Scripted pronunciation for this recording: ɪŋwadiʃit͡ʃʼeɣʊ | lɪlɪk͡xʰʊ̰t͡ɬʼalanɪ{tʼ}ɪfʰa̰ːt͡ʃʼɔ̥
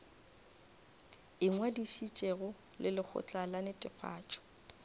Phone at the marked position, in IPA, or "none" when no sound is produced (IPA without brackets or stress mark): tʼ